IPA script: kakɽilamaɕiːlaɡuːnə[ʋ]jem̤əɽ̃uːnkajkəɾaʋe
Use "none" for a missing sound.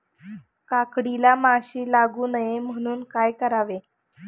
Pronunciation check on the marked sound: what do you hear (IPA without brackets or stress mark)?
none